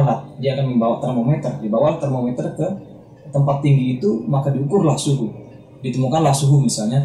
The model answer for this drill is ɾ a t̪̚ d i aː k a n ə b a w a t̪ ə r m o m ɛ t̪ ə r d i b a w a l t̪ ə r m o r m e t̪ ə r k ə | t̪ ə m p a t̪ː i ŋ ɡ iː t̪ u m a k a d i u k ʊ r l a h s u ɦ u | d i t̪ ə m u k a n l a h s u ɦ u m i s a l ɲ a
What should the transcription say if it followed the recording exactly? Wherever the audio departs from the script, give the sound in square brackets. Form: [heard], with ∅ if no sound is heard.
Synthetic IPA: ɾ a t̪̚ d i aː k a n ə b a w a t̪ ə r m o m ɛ t̪ ə r d i b a w a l t̪ ə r m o [∅] m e t̪ ə r k ə | t̪ ə m p a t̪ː i ŋ ɡ iː t̪ u m a k a d i u k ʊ r l a h s u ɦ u | d i t̪ ə m u k a n l a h s u ɦ u m i s a l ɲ a